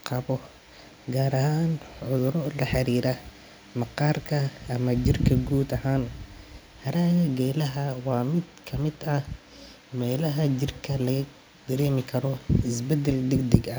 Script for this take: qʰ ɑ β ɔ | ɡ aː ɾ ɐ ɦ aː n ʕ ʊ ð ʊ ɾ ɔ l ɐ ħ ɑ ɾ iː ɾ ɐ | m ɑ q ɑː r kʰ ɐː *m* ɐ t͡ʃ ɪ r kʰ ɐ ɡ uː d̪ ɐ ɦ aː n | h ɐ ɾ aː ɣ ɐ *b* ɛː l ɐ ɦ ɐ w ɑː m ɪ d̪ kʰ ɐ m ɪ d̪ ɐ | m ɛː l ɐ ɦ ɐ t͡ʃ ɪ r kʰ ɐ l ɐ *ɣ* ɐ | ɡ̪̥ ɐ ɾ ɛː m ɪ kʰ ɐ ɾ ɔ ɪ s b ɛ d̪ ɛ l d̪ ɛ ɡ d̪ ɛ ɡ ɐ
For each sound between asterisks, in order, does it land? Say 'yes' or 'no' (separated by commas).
yes, no, yes